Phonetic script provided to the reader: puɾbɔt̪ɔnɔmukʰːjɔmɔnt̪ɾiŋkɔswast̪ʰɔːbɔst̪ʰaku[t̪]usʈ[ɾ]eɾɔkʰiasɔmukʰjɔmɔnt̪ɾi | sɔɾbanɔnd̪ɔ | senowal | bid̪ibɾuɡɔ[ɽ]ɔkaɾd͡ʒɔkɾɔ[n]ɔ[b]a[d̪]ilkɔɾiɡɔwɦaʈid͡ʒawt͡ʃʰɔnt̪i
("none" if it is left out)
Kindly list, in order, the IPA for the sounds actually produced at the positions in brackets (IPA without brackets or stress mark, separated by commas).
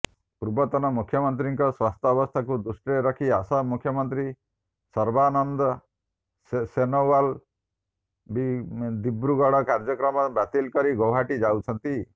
d̪, ɾ, ɽ, m, b, t̪